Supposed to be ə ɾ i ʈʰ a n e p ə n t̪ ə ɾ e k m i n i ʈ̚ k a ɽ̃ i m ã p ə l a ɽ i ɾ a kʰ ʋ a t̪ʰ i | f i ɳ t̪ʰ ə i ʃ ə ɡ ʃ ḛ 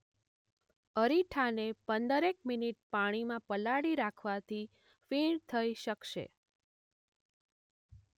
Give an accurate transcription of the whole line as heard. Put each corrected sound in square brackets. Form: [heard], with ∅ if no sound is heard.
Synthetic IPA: ə ɾ i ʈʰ a n e p ə n [d̪] ə ɾ e k m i n i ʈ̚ [p] a ɽ̃ i m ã p ə l a ɽ i ɾ a kʰ ʋ a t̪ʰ i | f i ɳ t̪ʰ ə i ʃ ə [k] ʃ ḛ